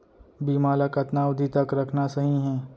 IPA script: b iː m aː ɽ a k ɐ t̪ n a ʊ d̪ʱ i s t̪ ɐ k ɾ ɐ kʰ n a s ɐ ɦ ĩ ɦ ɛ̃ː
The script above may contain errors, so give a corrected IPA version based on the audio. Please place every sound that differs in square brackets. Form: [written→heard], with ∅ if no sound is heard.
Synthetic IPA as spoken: b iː m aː [ɽ→l] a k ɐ t̪ n a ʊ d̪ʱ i [s→∅] t̪ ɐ k ɾ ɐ kʰ n a s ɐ ɦ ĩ ɦ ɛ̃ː